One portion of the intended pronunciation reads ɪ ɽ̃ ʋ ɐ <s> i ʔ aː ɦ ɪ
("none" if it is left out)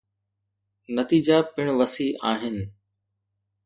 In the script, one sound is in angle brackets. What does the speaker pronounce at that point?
s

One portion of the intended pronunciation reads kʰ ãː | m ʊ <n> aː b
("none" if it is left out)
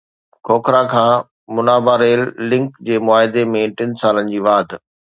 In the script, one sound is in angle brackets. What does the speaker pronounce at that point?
n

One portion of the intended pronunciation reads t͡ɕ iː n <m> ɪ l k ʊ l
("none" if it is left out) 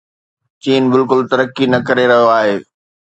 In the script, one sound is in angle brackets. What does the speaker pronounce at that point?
b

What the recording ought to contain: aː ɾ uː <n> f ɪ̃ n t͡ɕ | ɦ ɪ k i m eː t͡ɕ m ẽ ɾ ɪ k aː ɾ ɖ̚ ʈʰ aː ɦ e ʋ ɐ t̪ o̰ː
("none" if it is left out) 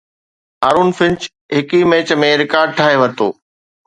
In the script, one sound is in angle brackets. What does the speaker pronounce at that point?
n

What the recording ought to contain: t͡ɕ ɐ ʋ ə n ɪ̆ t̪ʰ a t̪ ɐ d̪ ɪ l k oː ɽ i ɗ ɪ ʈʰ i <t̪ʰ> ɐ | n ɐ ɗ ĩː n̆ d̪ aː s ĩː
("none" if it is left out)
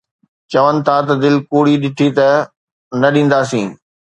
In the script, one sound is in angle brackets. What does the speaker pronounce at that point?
t̪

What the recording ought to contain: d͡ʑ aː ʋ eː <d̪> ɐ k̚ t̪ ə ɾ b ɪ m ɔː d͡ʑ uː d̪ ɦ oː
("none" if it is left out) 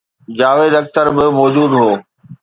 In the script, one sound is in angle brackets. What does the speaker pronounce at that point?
d̪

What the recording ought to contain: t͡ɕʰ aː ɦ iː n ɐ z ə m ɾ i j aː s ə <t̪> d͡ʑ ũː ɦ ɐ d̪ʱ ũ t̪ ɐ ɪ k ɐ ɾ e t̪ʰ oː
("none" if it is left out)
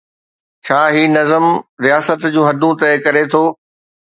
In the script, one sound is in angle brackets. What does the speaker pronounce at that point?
t̪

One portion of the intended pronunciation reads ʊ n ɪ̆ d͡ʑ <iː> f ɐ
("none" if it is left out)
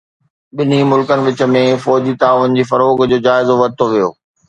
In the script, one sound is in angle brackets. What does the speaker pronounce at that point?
iː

